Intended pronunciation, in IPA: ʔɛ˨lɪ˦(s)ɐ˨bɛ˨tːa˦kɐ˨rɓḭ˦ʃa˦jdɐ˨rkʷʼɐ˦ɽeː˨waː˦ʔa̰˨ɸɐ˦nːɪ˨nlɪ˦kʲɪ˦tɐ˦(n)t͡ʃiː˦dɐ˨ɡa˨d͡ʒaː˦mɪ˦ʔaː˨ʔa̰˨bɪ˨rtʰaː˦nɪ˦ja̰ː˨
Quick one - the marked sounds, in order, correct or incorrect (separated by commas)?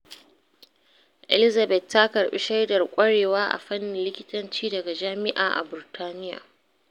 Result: incorrect, correct